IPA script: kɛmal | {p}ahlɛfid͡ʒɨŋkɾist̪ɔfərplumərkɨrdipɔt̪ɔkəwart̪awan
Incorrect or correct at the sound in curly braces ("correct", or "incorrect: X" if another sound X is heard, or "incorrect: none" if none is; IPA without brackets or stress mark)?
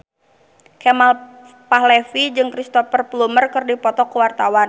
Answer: correct